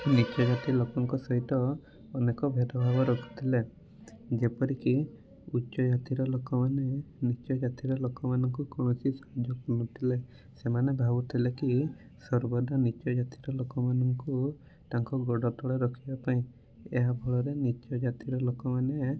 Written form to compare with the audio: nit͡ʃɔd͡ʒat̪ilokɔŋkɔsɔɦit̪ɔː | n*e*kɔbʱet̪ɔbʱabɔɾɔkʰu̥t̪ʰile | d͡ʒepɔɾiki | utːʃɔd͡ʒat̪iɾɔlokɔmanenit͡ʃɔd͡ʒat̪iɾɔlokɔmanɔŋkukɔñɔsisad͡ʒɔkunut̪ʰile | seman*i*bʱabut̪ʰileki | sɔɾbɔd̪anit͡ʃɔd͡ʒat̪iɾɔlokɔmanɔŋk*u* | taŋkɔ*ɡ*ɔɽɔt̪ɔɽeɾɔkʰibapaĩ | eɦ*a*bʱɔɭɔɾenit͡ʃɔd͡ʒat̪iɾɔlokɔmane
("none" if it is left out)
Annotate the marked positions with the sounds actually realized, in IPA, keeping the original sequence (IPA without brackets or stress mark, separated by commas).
e, e, u, ɡ, a